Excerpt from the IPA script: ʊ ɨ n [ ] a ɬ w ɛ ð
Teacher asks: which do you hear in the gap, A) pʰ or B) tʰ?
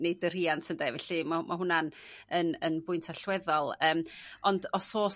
B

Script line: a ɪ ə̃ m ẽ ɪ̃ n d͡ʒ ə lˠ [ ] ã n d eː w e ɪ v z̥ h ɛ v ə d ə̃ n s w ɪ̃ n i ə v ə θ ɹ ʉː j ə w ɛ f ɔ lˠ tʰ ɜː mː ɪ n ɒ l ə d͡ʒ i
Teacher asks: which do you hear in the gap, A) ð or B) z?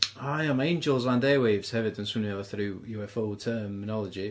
B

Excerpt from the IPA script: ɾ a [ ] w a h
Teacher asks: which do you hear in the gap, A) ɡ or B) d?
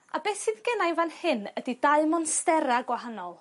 A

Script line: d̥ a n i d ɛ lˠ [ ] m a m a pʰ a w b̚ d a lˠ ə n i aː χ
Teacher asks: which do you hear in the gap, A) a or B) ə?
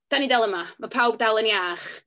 B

